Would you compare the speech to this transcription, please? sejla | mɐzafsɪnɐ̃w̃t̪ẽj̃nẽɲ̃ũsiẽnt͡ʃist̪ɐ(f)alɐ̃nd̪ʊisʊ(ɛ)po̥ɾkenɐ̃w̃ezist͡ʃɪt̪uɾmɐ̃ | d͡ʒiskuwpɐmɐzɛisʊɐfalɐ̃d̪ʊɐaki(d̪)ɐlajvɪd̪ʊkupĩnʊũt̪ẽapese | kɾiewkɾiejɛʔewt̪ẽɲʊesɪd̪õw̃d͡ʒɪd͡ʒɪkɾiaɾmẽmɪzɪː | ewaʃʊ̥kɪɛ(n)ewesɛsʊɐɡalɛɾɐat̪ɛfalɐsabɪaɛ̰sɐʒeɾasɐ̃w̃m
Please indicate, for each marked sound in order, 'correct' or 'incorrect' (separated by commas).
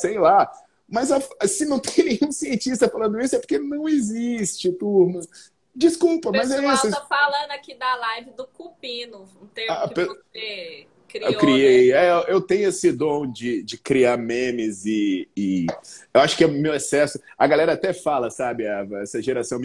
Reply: correct, correct, correct, incorrect